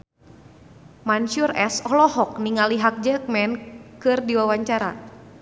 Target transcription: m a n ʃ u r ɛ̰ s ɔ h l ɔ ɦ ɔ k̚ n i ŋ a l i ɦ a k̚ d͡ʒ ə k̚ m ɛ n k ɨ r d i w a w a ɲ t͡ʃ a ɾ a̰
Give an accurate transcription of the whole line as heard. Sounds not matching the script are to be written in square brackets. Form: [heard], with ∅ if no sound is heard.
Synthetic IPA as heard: m a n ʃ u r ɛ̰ s ɔ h l ɔ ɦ ɔ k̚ n i ŋ a l i ɦ a k̚ d͡ʒ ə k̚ m ɛ n k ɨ r d i w a w a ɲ t͡ʃ a ɾ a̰

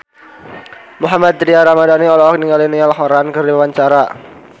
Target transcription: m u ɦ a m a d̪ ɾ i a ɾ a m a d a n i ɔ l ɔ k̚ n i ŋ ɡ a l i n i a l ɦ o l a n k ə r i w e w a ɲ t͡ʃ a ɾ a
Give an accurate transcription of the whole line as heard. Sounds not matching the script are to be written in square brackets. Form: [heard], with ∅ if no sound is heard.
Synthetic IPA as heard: m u ɦ a m a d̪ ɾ i a ɾ a m a d a n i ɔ l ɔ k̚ n i ŋ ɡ a l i n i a l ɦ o [ɾ] a n k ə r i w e w a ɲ t͡ʃ a ɾ a

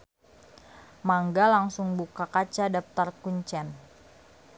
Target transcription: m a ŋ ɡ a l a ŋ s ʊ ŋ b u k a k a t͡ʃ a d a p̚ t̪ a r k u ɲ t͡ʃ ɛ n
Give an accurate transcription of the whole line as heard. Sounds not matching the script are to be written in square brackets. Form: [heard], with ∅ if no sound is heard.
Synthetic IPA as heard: m a ŋ ɡ a l a ŋ s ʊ ŋ b u k a k a t͡ʃ a d a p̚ t̪ a r k u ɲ t͡ʃ ɛ n

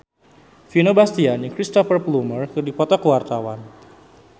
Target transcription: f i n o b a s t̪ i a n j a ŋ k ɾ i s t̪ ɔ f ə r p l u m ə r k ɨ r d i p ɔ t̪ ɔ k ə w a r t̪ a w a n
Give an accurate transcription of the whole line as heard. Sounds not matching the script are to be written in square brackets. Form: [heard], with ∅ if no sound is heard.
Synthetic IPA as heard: f i n o b a s t̪ i a n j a ŋ k ɾ i s t̪ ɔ f ə r p l u m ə r k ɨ r d i p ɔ t̪ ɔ k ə w a r t̪ a w a n

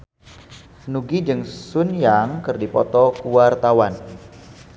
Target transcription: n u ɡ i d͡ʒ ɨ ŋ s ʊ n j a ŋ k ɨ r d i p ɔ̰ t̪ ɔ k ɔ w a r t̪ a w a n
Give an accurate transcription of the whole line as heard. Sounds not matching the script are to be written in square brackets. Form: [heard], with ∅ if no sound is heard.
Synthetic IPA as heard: n u ɡ i d͡ʒ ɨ ŋ s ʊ n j a ŋ k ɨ r d i p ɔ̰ t̪ ɔ k [u] w a r t̪ a w a n

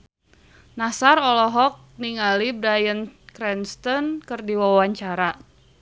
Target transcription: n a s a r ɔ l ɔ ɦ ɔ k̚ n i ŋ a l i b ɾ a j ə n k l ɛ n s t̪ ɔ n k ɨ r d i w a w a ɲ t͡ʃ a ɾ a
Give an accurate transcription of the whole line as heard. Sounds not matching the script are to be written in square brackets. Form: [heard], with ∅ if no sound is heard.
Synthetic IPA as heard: n a s a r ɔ l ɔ ɦ ɔ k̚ n i ŋ a l i b ɾ a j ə n k [ɾ] ɛ n s t̪ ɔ n k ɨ r d i w a w a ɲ t͡ʃ a ɾ a

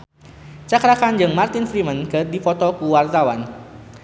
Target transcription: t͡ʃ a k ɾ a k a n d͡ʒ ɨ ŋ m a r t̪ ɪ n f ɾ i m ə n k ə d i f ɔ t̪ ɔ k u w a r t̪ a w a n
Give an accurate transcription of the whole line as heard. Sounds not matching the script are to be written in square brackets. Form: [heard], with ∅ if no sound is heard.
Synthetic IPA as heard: t͡ʃ a k ɾ a k a n d͡ʒ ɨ ŋ m a r t̪ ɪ n f ɾ i m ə n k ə d i f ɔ t̪ ɔ k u w a r t̪ a w a n

